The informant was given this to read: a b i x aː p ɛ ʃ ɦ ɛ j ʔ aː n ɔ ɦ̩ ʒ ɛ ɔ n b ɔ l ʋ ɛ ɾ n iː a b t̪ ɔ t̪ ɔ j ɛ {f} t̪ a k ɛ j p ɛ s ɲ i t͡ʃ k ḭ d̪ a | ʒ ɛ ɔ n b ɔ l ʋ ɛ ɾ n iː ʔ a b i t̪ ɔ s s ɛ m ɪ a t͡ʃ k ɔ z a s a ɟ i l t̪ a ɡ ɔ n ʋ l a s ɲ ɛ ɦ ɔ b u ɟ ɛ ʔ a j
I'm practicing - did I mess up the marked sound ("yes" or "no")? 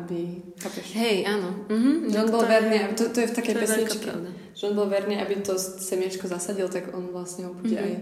no